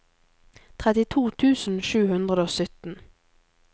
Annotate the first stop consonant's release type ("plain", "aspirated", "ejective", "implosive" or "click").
aspirated